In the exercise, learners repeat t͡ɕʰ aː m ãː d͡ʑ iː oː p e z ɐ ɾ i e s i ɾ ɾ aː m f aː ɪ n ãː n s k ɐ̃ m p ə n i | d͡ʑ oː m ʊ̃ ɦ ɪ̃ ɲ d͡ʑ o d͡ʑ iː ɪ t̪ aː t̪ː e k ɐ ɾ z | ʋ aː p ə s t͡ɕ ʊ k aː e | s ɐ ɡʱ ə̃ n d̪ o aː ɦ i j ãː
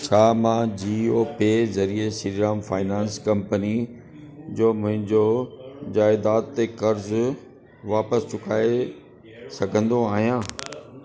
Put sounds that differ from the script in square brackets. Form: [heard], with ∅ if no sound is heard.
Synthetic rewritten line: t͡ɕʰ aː m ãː d͡ʑ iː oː p e z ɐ ɾ i e s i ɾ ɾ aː m f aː ɪ n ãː n s k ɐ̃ m p ə n i | d͡ʑ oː m ʊ̃ ɦ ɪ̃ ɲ d͡ʑ o d͡ʑ [aː] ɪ [d̪] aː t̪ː e k ɐ ɾ z | ʋ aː p ə s t͡ɕ ʊ k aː e | s ɐ ɡʱ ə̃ n d̪ o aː ɦ i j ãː